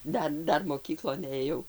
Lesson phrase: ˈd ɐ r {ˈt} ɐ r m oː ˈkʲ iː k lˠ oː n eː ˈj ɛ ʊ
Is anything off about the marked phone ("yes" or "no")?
yes